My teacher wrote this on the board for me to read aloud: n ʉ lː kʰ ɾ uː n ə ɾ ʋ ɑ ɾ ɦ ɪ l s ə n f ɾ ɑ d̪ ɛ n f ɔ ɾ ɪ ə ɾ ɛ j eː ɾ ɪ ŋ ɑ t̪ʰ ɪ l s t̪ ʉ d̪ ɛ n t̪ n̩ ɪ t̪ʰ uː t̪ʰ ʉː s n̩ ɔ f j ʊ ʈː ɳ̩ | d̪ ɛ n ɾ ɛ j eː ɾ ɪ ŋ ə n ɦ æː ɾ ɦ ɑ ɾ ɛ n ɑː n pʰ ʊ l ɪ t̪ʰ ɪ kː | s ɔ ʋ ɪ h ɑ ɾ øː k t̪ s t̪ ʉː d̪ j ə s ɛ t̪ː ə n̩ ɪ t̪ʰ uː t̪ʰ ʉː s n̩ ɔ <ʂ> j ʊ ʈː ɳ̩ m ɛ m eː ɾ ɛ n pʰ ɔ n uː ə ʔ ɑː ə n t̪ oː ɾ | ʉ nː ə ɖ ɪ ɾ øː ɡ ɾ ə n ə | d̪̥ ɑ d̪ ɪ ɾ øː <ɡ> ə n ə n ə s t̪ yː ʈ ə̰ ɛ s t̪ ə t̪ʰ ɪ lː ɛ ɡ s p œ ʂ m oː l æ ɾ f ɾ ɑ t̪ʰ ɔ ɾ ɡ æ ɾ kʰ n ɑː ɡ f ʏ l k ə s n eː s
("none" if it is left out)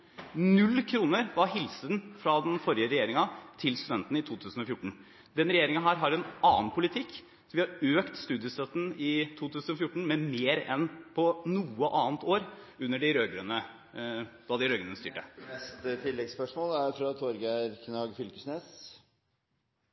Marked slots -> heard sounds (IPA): f, ɡ

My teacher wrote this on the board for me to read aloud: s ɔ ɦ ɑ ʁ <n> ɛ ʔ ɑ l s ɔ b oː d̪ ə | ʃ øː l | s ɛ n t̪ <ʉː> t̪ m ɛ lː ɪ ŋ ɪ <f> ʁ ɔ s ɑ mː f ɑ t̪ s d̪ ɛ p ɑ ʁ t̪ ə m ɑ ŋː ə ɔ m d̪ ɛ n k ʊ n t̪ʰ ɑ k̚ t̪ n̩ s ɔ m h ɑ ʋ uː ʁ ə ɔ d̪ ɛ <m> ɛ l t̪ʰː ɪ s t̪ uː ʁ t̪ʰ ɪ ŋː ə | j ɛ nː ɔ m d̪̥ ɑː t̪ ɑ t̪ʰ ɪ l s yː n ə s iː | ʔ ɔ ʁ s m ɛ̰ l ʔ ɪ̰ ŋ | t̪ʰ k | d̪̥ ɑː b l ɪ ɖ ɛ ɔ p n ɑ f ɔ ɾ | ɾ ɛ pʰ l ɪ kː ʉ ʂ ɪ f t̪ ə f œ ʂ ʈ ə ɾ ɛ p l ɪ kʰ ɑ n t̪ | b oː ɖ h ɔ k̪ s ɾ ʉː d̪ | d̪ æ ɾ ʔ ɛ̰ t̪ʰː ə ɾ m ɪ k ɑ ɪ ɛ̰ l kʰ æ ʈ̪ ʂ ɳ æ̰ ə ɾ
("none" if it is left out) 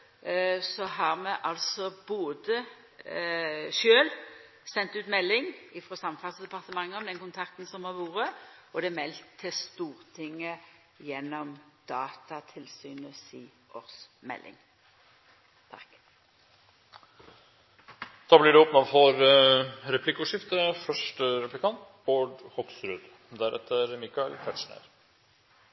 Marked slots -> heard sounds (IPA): m, ʉː, f, m

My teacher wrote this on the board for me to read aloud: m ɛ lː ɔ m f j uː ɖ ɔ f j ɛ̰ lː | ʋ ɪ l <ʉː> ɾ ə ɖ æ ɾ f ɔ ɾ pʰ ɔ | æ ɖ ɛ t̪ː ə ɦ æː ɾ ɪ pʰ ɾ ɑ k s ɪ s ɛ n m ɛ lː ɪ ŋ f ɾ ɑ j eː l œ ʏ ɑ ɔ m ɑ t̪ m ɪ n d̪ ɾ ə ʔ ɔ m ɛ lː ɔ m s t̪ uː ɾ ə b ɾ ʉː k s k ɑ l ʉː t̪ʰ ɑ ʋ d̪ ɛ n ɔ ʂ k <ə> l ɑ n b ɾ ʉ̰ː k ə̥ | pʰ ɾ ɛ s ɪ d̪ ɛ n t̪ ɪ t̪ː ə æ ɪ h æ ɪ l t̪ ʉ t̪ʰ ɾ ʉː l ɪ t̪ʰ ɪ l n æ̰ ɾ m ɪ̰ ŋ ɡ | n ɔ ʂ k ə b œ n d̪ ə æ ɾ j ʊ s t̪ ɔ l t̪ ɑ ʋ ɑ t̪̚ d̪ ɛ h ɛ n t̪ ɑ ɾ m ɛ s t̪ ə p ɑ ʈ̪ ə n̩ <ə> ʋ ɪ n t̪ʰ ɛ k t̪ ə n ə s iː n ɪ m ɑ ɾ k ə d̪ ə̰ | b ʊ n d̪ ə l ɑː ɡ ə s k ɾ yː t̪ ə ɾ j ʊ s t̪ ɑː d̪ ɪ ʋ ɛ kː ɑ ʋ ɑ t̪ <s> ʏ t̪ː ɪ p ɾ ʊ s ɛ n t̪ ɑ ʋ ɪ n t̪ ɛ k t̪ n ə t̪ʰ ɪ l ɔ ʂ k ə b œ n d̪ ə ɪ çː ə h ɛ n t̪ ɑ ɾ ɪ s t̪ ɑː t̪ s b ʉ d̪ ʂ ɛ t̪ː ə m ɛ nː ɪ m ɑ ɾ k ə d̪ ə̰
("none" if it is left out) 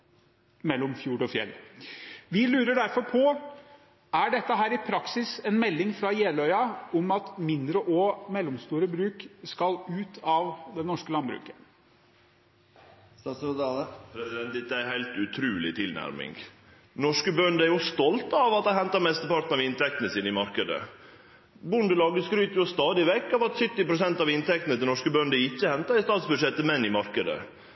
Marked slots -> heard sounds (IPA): ʉː, ə, ɑ, s

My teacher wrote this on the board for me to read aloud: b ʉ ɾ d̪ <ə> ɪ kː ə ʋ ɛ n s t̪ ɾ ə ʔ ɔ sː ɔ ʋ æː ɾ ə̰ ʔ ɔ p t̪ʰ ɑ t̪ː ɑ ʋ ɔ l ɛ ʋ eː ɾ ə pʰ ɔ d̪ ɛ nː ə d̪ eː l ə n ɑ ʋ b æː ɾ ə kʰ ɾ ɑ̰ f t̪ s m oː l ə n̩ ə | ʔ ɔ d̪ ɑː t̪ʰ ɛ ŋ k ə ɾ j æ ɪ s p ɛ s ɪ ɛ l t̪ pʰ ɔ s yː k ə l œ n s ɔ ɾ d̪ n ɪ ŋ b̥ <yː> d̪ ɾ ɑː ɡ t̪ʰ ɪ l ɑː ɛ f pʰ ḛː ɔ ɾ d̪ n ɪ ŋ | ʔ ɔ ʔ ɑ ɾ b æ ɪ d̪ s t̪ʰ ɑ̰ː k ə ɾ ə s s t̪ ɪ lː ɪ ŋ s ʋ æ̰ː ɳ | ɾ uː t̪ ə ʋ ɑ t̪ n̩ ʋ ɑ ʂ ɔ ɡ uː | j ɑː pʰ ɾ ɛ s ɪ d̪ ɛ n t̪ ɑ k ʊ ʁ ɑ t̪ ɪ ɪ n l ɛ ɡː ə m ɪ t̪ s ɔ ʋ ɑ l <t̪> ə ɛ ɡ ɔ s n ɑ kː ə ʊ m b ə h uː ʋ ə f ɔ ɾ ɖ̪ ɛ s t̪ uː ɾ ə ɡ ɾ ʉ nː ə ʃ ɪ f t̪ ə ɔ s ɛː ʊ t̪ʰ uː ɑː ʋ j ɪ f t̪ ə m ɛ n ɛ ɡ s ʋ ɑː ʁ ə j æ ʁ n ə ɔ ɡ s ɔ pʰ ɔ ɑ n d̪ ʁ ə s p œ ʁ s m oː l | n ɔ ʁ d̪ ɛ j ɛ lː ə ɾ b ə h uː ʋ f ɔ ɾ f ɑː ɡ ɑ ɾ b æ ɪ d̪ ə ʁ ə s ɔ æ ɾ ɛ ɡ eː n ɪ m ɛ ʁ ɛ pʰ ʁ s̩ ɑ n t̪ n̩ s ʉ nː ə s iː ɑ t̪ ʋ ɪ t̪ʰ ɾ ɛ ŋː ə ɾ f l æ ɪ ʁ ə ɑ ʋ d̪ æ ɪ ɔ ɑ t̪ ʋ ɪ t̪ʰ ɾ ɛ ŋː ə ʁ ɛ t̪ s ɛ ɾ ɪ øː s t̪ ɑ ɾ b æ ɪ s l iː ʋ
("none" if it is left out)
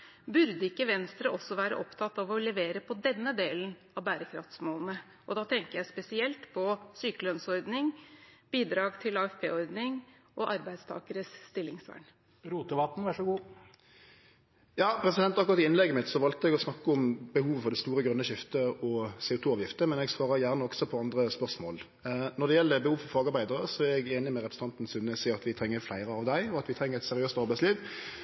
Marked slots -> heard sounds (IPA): ə, iː, t̪

